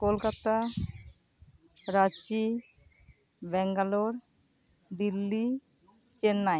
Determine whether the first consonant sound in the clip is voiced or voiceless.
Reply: voiceless